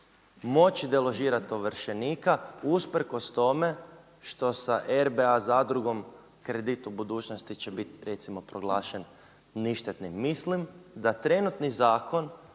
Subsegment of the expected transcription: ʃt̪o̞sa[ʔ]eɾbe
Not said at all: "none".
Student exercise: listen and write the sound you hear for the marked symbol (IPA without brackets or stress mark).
ʔ